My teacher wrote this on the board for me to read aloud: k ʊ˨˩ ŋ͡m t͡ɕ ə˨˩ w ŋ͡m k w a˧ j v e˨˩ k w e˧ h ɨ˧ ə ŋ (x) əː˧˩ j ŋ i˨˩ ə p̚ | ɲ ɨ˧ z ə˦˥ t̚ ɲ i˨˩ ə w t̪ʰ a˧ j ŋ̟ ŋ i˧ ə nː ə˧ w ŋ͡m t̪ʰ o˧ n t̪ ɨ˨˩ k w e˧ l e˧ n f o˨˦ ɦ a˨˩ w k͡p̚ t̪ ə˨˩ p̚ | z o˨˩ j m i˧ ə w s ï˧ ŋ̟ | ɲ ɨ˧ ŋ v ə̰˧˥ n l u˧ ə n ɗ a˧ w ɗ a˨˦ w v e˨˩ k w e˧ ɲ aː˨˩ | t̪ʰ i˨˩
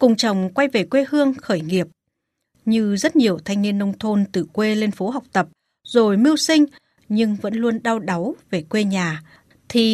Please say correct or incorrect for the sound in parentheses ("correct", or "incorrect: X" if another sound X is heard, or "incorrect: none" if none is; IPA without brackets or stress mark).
correct